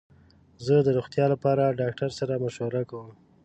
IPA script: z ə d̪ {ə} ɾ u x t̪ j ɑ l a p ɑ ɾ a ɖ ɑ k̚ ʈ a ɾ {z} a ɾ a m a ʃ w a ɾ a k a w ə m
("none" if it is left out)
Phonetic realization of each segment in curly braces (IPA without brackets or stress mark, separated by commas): ə, s